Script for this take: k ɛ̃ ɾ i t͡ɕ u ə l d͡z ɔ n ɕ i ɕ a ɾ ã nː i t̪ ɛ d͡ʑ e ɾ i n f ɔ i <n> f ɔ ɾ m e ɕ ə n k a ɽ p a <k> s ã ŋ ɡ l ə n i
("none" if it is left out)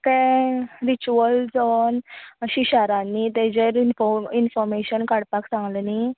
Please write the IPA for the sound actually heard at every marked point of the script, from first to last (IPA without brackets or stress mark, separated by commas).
n, k